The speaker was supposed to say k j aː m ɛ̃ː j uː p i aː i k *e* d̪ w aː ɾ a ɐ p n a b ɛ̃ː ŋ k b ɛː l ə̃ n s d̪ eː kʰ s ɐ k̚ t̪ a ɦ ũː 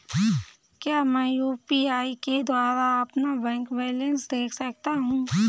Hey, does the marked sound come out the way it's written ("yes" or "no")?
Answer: yes